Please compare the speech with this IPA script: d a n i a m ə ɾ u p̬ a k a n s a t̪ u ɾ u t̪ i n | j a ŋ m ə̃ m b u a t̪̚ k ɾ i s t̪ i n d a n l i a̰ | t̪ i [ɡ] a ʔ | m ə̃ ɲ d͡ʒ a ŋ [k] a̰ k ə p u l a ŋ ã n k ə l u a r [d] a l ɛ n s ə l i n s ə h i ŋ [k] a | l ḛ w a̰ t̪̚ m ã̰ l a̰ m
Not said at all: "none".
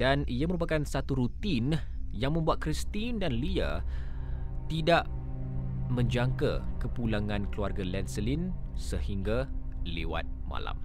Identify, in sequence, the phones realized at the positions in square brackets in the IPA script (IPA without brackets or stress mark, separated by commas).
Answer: d, k, ɡ, ɡ